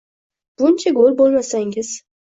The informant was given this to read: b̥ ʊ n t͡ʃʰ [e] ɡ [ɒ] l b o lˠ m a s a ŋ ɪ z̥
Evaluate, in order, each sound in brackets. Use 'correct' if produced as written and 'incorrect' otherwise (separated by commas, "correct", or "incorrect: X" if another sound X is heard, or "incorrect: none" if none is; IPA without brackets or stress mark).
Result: incorrect: a, incorrect: o